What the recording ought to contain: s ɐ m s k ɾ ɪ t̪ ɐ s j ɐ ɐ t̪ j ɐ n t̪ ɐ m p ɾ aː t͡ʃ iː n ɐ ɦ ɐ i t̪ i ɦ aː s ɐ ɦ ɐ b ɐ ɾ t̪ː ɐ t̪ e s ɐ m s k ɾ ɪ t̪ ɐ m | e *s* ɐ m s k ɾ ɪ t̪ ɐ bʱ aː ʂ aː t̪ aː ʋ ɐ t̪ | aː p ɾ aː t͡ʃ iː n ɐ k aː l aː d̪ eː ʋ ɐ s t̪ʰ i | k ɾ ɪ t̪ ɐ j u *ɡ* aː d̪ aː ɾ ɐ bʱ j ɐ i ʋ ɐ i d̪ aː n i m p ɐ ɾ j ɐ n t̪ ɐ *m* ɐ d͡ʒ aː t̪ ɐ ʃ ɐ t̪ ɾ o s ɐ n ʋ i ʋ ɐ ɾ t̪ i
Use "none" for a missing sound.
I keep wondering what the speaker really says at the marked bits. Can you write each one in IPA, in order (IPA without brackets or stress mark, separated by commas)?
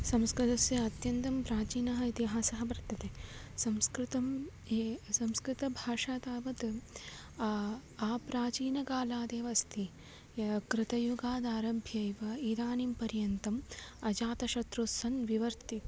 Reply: s, ɡ, m